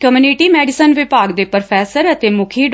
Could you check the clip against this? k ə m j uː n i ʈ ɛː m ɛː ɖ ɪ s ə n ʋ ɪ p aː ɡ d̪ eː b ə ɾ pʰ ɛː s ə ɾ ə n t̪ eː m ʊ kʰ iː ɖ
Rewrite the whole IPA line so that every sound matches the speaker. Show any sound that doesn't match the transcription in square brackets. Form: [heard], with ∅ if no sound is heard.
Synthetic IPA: k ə m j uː n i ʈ [iː] m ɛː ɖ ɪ s ə n ʋ ɪ p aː ɡ d̪ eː [p] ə ɾ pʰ ɛː s ə ɾ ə [∅] t̪ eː m ʊ kʰ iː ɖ